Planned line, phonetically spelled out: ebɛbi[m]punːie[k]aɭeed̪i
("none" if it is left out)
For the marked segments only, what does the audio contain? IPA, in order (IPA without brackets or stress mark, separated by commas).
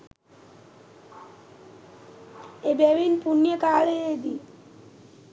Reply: n, k